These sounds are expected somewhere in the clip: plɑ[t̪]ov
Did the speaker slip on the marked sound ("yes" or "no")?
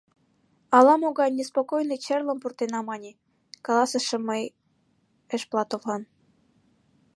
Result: no